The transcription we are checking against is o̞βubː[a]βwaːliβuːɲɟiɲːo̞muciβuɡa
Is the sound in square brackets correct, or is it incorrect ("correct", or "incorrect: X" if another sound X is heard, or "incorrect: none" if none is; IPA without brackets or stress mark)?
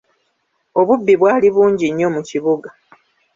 incorrect: i